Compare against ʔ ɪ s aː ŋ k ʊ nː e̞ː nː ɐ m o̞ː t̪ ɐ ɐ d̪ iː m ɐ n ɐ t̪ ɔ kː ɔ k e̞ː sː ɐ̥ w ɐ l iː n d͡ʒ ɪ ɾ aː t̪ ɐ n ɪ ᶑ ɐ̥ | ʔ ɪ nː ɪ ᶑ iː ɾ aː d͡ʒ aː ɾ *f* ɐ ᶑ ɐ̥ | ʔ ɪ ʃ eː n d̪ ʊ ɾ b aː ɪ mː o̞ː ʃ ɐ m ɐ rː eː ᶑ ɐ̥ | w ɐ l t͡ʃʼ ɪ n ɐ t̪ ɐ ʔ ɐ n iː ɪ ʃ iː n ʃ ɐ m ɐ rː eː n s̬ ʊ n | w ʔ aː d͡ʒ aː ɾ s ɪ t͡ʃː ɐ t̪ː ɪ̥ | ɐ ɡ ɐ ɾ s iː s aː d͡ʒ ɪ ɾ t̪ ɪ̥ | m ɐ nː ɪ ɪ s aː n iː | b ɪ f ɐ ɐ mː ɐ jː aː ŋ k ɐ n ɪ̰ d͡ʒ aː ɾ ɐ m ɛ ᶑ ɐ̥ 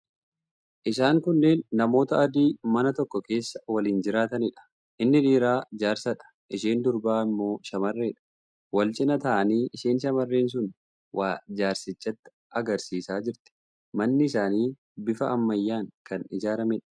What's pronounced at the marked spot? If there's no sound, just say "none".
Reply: s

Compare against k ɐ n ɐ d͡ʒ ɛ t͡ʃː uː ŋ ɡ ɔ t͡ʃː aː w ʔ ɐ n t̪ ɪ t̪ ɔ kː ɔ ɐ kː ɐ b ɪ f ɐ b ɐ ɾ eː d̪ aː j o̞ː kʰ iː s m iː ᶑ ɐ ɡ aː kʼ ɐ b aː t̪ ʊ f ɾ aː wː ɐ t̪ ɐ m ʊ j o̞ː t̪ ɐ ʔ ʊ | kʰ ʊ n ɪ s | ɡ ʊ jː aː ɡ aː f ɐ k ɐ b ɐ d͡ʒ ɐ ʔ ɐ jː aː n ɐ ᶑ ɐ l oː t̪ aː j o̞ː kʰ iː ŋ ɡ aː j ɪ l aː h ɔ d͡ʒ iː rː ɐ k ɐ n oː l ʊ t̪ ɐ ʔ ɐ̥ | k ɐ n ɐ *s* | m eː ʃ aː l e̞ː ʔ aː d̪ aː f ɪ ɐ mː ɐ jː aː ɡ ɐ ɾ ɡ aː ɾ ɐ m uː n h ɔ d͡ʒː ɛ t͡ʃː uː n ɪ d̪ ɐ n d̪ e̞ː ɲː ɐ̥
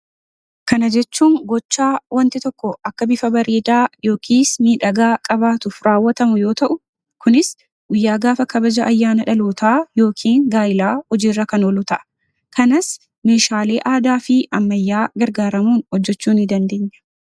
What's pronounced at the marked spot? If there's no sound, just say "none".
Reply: s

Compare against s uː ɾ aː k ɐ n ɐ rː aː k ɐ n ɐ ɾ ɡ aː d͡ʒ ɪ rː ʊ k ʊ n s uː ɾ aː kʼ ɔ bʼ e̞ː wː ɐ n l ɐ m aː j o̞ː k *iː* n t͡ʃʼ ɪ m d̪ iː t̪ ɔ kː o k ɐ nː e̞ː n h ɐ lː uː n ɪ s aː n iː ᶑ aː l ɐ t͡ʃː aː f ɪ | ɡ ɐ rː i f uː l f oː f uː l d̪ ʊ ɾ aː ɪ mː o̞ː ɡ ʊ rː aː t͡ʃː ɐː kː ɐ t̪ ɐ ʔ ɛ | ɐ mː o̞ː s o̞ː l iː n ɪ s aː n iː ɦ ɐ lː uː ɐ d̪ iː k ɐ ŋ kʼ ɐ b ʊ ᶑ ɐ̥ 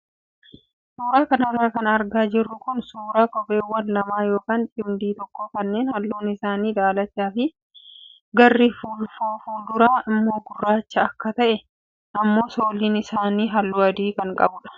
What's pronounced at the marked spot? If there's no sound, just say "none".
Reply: aː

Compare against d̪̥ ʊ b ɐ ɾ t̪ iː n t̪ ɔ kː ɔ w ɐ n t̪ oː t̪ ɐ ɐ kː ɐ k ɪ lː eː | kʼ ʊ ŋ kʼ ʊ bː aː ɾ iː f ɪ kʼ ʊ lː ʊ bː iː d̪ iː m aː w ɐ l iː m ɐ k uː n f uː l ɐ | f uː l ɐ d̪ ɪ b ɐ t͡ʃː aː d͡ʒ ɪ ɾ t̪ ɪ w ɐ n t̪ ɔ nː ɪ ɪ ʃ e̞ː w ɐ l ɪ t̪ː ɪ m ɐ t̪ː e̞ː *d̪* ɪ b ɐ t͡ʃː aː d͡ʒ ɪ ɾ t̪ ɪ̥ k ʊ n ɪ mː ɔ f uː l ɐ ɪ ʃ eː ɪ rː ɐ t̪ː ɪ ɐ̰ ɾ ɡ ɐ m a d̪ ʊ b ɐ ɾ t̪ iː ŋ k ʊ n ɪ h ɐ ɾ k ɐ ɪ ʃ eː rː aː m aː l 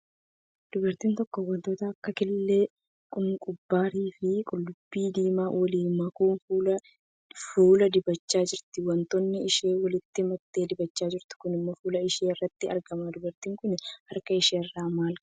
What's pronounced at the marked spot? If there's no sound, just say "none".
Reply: d̪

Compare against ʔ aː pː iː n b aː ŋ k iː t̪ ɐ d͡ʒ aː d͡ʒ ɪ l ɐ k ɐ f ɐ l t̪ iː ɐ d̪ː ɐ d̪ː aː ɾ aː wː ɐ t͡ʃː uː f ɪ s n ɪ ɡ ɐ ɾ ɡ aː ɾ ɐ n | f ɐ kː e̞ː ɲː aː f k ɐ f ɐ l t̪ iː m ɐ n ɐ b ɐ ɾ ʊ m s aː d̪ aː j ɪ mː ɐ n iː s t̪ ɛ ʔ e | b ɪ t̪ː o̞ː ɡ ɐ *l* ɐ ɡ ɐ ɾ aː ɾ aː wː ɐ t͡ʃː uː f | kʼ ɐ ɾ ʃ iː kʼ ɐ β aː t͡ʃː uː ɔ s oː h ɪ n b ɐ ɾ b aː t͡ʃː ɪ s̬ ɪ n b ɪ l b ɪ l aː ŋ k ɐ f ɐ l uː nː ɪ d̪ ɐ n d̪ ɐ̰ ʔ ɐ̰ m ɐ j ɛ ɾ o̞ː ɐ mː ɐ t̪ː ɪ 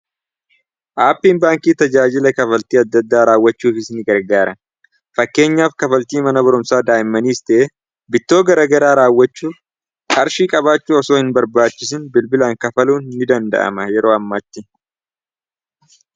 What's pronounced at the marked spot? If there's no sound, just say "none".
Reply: ɾ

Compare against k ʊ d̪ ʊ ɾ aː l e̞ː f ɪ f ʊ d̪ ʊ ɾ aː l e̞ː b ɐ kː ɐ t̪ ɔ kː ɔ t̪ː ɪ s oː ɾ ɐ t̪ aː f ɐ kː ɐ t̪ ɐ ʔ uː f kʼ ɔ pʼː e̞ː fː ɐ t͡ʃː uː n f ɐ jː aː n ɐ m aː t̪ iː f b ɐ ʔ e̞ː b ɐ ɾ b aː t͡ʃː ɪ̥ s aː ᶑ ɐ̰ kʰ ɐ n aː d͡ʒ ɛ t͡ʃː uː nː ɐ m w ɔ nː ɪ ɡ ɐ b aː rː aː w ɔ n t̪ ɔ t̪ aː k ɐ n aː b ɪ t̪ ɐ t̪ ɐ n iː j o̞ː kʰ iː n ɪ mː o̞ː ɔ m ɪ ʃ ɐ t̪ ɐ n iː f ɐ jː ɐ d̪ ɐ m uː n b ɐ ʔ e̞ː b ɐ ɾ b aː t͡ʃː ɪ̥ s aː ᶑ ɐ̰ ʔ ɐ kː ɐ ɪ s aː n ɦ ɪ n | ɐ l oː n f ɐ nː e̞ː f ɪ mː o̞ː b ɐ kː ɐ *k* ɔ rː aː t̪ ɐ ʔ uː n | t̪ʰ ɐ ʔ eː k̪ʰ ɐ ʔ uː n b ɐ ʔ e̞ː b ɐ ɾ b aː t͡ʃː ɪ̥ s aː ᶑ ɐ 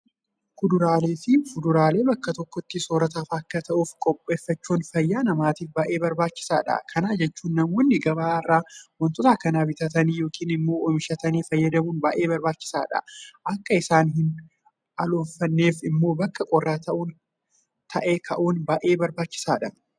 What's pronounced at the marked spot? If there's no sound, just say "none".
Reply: kʼ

